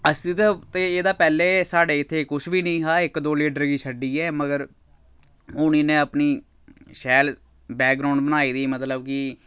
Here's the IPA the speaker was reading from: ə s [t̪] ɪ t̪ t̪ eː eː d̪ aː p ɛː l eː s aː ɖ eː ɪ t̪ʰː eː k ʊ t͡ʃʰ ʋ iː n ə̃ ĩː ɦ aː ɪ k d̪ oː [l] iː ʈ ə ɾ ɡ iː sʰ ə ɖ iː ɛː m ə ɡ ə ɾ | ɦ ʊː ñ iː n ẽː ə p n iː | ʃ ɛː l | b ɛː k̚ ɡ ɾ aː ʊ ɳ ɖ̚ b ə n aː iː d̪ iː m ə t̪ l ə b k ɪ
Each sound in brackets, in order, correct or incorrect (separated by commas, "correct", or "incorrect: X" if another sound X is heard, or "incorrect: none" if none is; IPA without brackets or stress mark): correct, correct